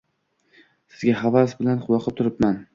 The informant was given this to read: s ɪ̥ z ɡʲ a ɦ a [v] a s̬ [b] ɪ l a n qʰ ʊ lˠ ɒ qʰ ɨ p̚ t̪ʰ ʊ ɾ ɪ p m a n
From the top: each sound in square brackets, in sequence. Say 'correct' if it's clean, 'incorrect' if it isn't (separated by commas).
correct, correct